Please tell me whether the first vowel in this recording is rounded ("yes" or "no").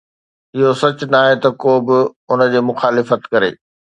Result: no